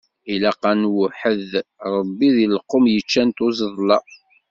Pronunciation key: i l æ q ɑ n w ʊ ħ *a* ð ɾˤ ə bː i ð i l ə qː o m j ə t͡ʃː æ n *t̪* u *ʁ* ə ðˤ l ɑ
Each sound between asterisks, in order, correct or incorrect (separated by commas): incorrect, correct, incorrect